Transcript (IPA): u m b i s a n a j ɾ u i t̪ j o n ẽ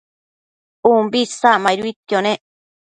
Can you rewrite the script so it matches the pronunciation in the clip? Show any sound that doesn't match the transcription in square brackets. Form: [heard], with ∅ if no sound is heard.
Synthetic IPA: u m b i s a [m] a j ɾ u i t̪ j o n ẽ